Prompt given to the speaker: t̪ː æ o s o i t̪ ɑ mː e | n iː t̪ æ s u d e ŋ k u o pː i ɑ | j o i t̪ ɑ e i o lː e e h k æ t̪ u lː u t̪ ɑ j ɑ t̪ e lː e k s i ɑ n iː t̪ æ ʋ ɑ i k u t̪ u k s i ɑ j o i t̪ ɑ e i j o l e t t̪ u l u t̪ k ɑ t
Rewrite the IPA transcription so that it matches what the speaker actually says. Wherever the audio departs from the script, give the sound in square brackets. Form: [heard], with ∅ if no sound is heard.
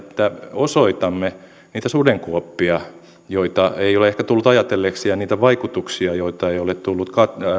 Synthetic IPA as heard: t̪ː æ o s o i t̪ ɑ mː e | n iː t̪ æ s u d e ŋ k u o pː i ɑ | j o i t̪ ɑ e i o [l] e e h k æ t̪ u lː u t̪ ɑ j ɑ t̪ e lː e k s i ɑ n iː t̪ æ ʋ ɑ i k u t̪ u k s i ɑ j o i t̪ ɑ e i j o l e t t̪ u [lː] u t̪ k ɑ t